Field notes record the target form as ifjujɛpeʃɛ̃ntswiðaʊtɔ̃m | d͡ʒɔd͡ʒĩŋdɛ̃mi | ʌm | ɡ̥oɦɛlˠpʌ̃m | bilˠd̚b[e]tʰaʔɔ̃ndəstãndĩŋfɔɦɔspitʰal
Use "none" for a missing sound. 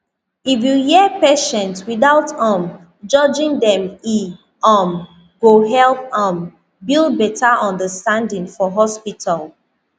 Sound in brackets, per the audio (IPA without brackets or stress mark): ɛ